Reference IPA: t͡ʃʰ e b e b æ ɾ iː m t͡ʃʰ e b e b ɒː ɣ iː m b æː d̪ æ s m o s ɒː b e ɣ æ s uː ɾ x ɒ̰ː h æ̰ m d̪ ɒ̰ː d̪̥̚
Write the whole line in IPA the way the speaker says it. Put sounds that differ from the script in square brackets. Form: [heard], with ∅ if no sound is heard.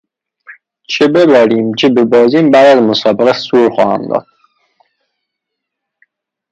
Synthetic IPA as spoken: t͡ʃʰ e b e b æ ɾ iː m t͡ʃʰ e b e b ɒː [z] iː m b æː d̪ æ [z] m o s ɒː b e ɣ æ s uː ɾ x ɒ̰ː h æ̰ m d̪ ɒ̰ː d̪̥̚

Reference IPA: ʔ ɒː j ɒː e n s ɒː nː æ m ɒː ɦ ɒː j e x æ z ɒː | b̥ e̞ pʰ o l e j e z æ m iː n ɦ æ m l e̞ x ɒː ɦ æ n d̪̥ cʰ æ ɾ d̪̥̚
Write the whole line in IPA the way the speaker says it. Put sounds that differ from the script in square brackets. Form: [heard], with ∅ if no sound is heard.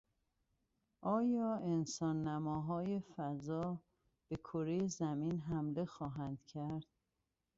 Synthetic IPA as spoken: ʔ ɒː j ɒː e n s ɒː nː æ m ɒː ɦ ɒː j e [f] æ z ɒː | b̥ e̞ [kʰ] o [ɾ] e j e z æ m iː n ɦ æ m l e̞ x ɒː ɦ æ n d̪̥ cʰ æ ɾ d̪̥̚

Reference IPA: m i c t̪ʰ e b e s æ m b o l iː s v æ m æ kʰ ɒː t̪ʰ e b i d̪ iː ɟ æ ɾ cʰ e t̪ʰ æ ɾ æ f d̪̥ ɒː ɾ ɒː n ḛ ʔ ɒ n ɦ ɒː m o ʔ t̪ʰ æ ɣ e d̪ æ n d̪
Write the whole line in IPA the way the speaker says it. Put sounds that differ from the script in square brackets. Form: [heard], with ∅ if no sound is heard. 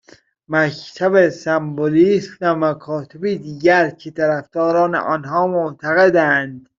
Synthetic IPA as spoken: m [æ] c t̪ʰ [æ] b e s æ m b o l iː s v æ m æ kʰ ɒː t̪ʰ e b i d̪ iː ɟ æ ɾ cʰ e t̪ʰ æ ɾ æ f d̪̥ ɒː ɾ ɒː n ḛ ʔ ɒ n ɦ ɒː m o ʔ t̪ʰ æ ɣ e d̪ æ n d̪

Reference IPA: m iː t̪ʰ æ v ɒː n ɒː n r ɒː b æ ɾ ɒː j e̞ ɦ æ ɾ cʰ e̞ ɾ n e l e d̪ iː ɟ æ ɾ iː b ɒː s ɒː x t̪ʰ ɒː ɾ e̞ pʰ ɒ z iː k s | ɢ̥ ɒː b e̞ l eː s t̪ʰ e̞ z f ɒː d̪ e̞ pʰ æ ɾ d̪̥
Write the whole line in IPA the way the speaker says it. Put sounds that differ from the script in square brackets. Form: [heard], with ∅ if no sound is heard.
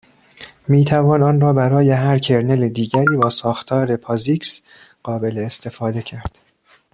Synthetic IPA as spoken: m iː t̪ʰ æ v ɒː n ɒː n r ɒː b æ ɾ ɒː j e̞ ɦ æ ɾ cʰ e̞ ɾ n e l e d̪ iː ɟ æ ɾ iː b ɒː s ɒː x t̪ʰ ɒː ɾ e̞ pʰ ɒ z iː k s | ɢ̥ ɒː b e̞ l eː s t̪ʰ e̞ [∅] f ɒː d̪ e̞ [cʰ] æ ɾ d̪̥

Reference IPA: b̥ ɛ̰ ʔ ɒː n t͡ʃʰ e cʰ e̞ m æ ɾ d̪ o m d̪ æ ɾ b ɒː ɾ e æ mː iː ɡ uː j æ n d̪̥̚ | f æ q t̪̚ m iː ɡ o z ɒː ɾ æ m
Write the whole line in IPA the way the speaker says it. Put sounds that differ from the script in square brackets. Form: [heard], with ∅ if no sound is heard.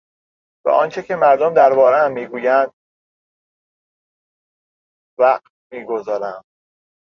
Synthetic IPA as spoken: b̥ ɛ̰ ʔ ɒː n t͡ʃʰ e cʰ e̞ m æ ɾ d̪ o m d̪ æ ɾ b ɒː ɾ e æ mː iː ɡ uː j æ n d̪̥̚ | [v] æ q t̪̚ m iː ɡ o z ɒː ɾ æ m

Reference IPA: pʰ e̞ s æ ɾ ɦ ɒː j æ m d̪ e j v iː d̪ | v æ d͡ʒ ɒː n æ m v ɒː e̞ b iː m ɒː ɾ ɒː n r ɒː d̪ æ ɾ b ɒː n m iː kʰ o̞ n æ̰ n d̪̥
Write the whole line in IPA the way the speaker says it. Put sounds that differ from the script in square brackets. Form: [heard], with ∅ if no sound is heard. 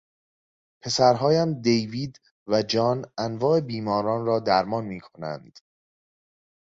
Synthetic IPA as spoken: pʰ e̞ s æ ɾ ɦ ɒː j æ m d̪ e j v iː d̪ | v æ d͡ʒ ɒː n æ [n] v ɒː e̞ b iː m ɒː ɾ ɒː n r ɒː d̪ æ ɾ [m] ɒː n m iː kʰ o̞ n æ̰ n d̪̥

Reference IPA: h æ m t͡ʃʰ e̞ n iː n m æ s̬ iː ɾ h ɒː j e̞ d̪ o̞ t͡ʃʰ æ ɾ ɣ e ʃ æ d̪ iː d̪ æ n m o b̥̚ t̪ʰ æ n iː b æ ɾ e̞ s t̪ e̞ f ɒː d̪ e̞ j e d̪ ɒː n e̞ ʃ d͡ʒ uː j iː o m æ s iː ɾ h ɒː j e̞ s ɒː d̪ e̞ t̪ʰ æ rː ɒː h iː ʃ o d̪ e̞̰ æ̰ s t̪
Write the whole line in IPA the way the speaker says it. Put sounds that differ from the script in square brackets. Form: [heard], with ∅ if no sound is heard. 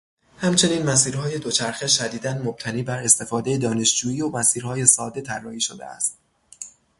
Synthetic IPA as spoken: h æ m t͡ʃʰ e̞ n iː n m æ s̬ iː ɾ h ɒː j e̞ d̪ o̞ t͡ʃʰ æ ɾ [x] e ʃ æ d̪ iː d̪ æ n m o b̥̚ t̪ʰ æ n iː b æ ɾ e̞ s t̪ e̞ f ɒː d̪ e̞ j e d̪ ɒː n e̞ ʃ d͡ʒ uː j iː o m æ s iː ɾ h ɒː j e̞ s ɒː d̪ e̞ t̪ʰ æ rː ɒː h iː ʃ o d̪ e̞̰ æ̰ s t̪

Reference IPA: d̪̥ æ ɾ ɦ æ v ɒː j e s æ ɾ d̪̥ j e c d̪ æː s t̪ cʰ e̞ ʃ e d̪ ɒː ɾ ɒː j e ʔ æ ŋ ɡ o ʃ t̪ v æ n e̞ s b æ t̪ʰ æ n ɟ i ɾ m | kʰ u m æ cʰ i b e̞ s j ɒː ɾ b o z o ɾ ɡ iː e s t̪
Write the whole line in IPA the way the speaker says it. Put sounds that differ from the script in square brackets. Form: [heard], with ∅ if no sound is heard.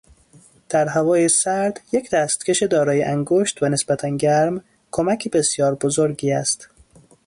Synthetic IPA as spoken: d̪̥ æ ɾ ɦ æ v ɒː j e s æ ɾ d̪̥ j e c d̪ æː s t̪ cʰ e̞ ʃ e d̪ ɒː ɾ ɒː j e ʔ æ ŋ ɡ o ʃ t̪ v æ n e̞ s b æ t̪ʰ æ n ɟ [æ] ɾ m | kʰ [o] m æ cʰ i b e̞ s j ɒː ɾ b o z o ɾ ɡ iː [æ] s t̪

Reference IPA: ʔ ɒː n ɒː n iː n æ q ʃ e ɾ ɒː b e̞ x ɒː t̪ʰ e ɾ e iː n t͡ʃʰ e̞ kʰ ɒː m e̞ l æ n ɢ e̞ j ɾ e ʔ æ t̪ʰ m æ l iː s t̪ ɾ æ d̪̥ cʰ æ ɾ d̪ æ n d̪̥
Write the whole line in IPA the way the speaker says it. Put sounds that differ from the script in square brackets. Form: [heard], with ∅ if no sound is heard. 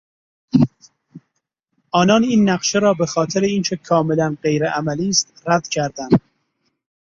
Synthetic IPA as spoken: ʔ ɒː n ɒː n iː [nː] æ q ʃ e ɾ ɒː b e̞ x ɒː t̪ʰ e ɾ e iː n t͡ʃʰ e̞ kʰ ɒː m e̞ l æ n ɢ e̞ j ɾ e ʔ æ [∅] m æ l iː s t̪ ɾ æ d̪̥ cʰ æ ɾ d̪ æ n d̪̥

